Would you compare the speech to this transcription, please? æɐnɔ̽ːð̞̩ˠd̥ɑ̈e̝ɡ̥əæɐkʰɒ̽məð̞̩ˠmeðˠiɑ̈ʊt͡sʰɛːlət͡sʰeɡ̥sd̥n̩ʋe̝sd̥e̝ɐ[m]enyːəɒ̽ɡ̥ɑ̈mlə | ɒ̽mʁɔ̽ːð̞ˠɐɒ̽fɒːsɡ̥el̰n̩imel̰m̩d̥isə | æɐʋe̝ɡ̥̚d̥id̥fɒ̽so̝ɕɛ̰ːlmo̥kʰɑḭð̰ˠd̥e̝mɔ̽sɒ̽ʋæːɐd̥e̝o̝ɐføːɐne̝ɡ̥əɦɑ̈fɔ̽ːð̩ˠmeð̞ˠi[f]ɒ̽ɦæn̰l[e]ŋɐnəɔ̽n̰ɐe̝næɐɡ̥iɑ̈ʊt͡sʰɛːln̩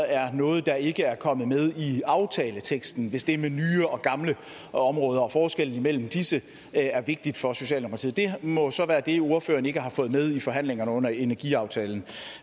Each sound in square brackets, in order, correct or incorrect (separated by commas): correct, correct, correct